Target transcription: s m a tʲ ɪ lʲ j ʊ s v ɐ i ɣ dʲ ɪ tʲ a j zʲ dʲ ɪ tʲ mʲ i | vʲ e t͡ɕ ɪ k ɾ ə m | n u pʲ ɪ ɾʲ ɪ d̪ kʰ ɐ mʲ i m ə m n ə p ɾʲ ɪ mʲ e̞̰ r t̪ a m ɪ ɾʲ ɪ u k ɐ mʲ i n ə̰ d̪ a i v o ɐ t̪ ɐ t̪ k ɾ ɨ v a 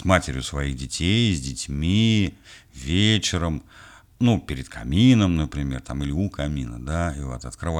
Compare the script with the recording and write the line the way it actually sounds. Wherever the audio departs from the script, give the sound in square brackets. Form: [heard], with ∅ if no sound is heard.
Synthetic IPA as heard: s m a tʲ ɪ [ɾʲ] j ʊ s v ɐ i ɣ dʲ ɪ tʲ [e] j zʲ dʲ ɪ tʲ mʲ i | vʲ e t͡ɕ ɪ [∅] ɾ ə m | n u pʲ ɪ ɾʲ ɪ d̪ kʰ ɐ mʲ i [n] ə m n ə p ɾʲ ɪ mʲ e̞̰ r t̪ a m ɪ [lʲ] ɪ u k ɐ mʲ i n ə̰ d̪ a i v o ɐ t̪ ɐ t̪ k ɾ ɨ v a